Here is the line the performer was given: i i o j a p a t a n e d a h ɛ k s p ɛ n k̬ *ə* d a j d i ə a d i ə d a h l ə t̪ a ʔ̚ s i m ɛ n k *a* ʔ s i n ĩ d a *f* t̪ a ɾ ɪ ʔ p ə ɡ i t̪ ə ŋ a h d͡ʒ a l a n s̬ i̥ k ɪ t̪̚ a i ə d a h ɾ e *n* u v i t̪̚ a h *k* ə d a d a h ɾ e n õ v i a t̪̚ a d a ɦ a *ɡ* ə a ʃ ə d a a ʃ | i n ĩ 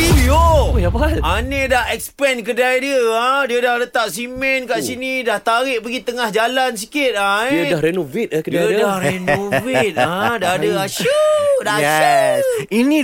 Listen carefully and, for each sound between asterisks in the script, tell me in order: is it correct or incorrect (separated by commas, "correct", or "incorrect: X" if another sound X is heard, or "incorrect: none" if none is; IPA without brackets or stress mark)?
correct, correct, incorrect: h, correct, correct, incorrect: d